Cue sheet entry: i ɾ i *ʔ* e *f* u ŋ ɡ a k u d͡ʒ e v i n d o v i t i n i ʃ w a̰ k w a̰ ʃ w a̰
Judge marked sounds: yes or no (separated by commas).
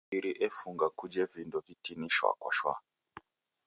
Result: yes, yes